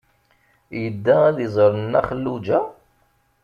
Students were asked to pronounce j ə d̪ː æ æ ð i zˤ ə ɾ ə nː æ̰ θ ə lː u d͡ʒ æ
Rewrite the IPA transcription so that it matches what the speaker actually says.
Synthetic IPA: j ə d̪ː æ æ ð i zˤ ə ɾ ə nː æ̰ χ ə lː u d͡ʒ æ